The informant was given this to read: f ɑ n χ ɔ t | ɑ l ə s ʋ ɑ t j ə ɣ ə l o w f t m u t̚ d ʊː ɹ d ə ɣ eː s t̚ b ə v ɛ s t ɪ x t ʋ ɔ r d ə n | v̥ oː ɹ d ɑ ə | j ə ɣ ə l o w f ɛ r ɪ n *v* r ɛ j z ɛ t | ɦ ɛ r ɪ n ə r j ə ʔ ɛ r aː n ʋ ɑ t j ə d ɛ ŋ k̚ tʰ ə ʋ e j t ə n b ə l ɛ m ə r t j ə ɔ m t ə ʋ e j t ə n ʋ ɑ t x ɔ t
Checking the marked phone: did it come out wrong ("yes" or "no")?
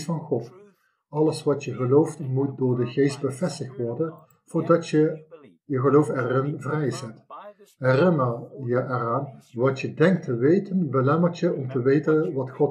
no